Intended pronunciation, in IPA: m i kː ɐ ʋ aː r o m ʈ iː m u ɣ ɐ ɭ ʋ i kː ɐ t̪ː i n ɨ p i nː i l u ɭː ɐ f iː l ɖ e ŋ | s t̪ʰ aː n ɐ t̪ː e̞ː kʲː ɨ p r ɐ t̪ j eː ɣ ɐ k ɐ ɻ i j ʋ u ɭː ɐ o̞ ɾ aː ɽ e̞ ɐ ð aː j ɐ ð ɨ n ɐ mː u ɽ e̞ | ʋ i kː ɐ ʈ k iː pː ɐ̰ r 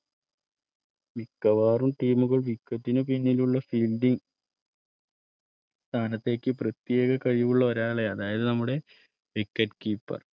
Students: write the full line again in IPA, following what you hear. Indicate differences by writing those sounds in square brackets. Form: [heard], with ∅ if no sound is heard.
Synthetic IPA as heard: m i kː ɐ ʋ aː r [u] m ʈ iː m u ɣ ɐ ɭ ʋ i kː ɐ t̪ː i n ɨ p i nː i l u ɭː ɐ f iː l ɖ [i] ŋ | s t̪ʰ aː n ɐ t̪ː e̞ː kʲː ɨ p r ɐ t̪ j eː ɣ ɐ k ɐ ɻ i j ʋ u ɭː ɐ o̞ ɾ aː [ɭ] e̞ ɐ ð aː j ɐ ð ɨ n ɐ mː u ɽ e̞ | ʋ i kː ɐ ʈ k iː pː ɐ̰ r